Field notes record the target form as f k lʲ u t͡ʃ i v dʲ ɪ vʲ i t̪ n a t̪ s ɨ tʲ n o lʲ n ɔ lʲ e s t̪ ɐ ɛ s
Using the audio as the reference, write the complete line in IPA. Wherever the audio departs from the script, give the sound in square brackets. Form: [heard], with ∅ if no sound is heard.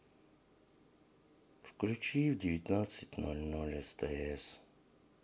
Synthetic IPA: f k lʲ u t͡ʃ i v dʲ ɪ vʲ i t̪ n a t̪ s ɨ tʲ n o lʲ n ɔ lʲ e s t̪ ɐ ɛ s